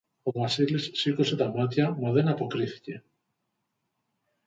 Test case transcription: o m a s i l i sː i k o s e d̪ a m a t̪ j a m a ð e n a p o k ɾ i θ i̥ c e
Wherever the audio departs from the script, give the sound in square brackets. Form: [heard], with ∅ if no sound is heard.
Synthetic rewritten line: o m a s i l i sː i k o s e [t̪] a m a t̪ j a m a ð e n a p o k ɾ i θ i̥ c e